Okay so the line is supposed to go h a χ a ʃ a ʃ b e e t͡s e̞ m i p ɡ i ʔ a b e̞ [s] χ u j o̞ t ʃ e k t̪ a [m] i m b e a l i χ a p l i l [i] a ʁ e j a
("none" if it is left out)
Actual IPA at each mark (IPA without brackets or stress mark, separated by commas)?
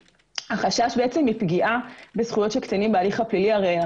s, n, i